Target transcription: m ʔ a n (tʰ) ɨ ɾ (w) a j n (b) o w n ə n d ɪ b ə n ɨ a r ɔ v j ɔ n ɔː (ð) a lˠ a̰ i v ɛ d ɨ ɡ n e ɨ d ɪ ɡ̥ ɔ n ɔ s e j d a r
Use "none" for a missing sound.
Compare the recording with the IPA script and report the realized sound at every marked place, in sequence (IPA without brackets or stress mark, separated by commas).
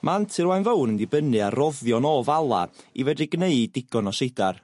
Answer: tʰ, w, v, v